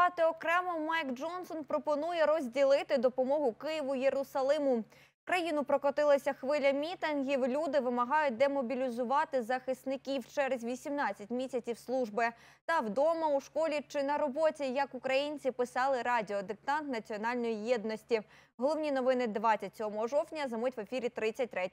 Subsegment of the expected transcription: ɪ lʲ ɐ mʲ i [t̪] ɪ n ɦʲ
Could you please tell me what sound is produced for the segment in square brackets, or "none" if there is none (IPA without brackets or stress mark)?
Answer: t̪